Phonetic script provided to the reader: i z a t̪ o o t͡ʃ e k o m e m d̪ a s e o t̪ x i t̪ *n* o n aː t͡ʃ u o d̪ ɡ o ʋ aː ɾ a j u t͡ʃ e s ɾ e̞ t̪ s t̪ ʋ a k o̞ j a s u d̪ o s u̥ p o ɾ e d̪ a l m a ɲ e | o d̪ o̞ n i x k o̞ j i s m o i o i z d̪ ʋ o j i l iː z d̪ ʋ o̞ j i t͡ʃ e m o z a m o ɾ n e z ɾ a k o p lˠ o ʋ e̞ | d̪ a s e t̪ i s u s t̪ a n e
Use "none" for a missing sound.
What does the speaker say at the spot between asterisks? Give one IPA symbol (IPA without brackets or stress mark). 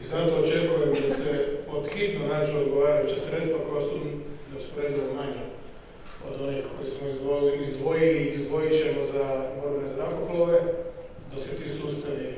n